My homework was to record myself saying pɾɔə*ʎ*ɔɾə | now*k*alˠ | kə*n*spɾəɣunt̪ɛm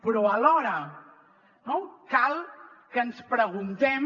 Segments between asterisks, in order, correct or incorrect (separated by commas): incorrect, correct, correct